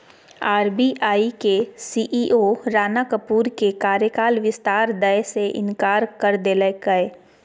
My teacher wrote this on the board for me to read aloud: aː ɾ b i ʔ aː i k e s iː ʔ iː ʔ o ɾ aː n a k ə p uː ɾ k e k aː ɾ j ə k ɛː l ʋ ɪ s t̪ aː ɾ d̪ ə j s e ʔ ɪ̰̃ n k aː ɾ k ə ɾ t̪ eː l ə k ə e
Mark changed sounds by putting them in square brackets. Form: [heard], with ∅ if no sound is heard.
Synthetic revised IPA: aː ɾ b i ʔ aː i k e s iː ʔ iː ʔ o ɾ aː n a k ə p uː ɾ k e k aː ɾ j ə k [aː] l ʋ ɪ s t̪ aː ɾ d̪ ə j s e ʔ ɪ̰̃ n k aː ɾ k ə ɾ [d̪] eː l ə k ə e

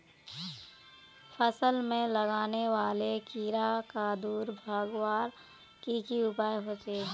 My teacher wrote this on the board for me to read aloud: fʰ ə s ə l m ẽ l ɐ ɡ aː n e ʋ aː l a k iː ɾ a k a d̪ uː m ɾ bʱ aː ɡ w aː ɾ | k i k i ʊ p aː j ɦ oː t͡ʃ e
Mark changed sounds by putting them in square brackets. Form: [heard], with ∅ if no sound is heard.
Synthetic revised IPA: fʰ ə s ə l m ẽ l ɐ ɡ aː n e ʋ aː l [e] k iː ɾ a k a d̪ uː [∅] ɾ bʱ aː ɡ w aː ɾ | k i k i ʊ p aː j ɦ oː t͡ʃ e

